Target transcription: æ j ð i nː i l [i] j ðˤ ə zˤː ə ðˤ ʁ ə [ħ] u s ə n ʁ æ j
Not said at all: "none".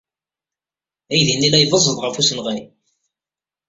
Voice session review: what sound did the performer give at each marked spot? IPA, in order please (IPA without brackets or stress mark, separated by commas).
æ, f